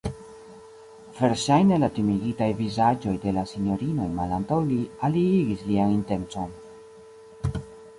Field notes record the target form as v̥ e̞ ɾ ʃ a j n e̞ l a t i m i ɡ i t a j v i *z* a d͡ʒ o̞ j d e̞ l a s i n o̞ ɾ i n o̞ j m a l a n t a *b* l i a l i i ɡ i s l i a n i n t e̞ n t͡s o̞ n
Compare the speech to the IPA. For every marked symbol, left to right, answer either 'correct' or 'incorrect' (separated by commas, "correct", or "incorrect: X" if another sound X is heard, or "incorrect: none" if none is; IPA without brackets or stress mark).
correct, incorrect: w